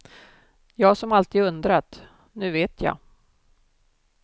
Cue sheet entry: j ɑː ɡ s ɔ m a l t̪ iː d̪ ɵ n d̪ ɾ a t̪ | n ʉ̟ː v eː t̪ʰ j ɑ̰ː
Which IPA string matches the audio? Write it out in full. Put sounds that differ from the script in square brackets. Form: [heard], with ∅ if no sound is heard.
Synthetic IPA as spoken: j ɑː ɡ s ɔ m a l t̪ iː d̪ ɵ n d̪ ɾ a t̪ | n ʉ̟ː v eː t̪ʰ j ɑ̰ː